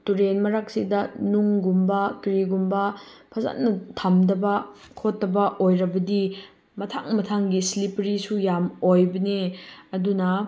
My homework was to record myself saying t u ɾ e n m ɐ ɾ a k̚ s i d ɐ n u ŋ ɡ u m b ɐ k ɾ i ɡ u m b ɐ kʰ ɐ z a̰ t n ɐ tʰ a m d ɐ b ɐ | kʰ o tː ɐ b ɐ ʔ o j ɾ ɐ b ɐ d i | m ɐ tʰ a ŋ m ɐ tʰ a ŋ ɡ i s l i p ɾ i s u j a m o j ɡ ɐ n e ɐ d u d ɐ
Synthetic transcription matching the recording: t u ɾ e n m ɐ ɾ a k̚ s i d ɐ n u ŋ ɡ u m b ɐ k ɾ i ɡ u m b ɐ pʰ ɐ z a̰ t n ɐ tʰ a m d ɐ b ɐ | kʰ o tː ɐ b ɐ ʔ o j ɾ ɐ b ɐ d i | m ɐ tʰ a ŋ m ɐ tʰ a ŋ ɡ i s l i p ɾ i s u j a m o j b ɐ n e ɐ d u n ɐ